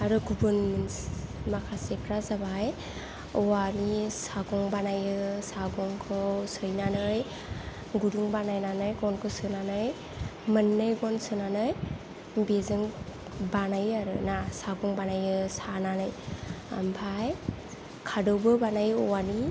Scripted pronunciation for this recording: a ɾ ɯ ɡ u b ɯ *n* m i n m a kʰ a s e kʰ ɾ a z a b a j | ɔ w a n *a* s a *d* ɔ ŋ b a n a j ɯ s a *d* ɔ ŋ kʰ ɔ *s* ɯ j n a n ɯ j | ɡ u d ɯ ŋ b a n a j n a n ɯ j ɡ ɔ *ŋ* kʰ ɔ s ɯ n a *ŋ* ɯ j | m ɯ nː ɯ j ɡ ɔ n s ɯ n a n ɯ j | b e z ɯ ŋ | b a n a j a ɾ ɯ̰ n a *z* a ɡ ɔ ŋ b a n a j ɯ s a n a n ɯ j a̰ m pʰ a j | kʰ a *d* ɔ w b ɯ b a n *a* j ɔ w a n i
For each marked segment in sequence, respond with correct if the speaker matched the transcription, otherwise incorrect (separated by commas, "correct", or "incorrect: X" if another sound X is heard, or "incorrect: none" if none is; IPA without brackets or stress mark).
correct, incorrect: i, incorrect: ɡ, incorrect: ɡ, correct, incorrect: n, incorrect: n, incorrect: s, correct, correct